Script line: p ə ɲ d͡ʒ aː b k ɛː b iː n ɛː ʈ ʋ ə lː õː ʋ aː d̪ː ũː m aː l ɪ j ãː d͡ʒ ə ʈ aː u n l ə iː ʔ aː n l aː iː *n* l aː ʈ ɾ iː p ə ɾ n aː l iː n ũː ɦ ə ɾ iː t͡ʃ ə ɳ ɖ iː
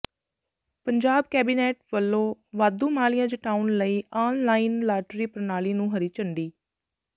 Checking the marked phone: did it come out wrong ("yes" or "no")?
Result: no